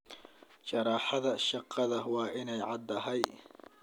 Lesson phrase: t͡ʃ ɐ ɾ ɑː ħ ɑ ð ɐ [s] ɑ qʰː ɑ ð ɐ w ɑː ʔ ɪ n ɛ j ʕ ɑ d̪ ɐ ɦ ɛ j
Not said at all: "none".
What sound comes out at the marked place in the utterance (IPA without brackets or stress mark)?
ʃ